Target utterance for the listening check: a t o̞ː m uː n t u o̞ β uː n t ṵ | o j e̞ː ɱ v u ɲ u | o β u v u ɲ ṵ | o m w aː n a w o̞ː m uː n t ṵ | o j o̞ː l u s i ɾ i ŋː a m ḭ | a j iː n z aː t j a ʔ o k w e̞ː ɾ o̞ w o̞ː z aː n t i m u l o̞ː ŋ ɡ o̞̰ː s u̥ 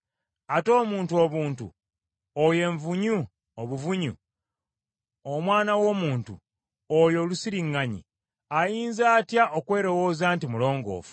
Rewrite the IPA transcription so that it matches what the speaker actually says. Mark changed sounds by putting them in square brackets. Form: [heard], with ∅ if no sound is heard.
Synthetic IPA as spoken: a t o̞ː m uː n t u o̞ β uː n t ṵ | o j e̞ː ɱ v u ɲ u | o β u v u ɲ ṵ | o m w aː n a w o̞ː m uː n t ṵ | o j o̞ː l u s i ɾ i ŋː a [ɲ] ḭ | a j iː n z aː t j a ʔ o k w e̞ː ɾ o̞ w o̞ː z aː n t i m u l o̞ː ŋ ɡ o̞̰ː [f] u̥

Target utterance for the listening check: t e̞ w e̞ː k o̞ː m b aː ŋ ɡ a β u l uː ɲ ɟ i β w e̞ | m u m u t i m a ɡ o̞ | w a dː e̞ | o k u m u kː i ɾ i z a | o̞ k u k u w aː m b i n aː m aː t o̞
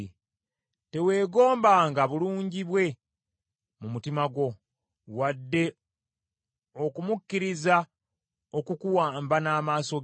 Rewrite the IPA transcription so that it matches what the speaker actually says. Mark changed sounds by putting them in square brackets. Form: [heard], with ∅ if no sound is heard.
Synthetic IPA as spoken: t e̞ w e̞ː [ɡ] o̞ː m b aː ŋ ɡ a β u l uː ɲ ɟ i β w e̞ | m u m u t i m a ɡ o̞ | w a dː e̞ | o k u m u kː i ɾ i z a | o̞ k u k u w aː m b [a] n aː m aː [s] o̞

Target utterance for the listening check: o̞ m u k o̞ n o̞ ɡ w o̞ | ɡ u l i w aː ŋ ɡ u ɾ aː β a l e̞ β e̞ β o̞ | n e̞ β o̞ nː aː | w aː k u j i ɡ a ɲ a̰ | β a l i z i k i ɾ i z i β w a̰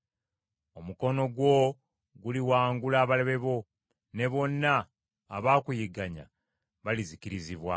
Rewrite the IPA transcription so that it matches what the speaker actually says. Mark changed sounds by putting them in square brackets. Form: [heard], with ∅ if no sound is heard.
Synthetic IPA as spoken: o̞ m u k o̞ n o̞ ɡ w o̞ | ɡ u l i w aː ŋ ɡ u [l] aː β a l e̞ β e̞ β o̞ | n e̞ β o̞ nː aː | [β] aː k u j i ɡ a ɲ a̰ | β a l i z i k i ɾ i z i β w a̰

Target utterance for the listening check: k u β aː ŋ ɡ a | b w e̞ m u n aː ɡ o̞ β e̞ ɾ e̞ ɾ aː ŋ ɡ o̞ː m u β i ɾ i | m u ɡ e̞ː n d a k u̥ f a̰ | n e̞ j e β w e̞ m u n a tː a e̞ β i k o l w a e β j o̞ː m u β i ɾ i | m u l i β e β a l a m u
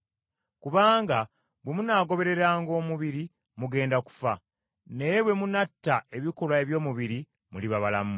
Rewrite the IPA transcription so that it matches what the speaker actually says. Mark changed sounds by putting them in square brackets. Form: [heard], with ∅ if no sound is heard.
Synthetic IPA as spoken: k u β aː ŋ ɡ a | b w e̞ m u n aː ɡ o̞ β e̞ ɾ e̞ ɾ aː ŋ ɡ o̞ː m u β i ɾ i | m u ɡ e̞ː n d a k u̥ f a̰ | n e̞ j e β w e̞ m u n a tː a e̞ β i k o l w a e β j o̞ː m u β i ɾ i | m u l i β [a] β a l a m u

